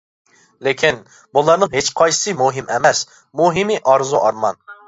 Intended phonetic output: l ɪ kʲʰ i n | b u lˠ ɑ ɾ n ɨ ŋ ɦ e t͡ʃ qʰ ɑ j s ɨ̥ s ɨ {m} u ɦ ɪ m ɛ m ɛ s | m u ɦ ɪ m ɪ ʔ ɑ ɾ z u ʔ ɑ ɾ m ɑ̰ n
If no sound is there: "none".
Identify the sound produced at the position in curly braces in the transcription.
m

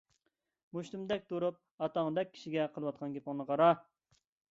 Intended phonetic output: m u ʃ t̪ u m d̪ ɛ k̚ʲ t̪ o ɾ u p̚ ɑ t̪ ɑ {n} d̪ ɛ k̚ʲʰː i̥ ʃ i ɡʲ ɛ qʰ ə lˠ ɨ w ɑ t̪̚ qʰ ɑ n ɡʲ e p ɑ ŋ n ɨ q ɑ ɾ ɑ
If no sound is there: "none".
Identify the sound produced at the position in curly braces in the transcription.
ŋ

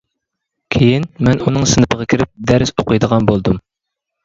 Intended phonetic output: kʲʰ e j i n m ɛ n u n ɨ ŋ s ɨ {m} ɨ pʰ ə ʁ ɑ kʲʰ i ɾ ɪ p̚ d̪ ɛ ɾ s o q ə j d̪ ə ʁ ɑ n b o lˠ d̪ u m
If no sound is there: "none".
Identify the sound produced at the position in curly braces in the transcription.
n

